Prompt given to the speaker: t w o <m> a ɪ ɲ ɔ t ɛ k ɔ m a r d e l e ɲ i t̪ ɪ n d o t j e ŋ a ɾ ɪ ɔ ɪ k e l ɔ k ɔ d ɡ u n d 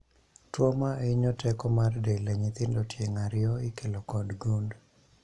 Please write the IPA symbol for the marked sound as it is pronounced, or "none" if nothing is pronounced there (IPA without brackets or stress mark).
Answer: m